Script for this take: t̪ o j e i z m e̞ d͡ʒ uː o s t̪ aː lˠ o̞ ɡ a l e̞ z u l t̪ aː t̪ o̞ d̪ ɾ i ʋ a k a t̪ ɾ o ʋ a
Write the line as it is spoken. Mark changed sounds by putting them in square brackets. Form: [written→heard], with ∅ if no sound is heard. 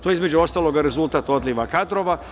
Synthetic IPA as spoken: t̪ o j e i z m e̞ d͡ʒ [uː→u] o s t̪ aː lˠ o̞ ɡ a [l→ɾ] e̞ z u l t̪ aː t̪ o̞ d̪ [ɾ→l] i ʋ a k a [t̪→d̪] ɾ o ʋ a